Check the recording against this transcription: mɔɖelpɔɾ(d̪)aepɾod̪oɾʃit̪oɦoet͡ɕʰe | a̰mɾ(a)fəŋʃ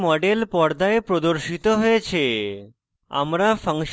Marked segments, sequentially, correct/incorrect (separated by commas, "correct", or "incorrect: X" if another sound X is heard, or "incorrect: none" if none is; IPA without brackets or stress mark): correct, correct